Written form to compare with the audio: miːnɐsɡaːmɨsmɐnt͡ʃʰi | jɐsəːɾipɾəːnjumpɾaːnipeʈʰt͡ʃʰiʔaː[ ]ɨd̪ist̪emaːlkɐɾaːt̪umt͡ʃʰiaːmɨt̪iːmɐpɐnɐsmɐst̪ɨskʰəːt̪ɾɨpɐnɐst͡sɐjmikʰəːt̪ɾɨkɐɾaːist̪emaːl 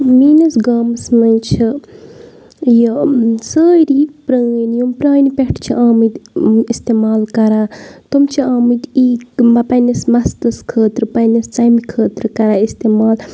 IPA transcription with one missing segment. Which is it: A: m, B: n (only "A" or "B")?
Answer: A